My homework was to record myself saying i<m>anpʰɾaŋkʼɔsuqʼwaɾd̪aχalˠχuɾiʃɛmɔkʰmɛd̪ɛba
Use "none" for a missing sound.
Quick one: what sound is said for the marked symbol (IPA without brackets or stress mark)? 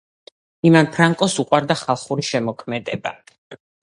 m